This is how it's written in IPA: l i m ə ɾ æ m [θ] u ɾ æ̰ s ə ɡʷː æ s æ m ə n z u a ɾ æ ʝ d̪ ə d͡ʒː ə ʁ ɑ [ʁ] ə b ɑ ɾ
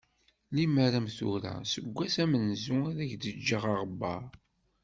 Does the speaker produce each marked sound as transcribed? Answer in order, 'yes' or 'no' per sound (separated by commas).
yes, yes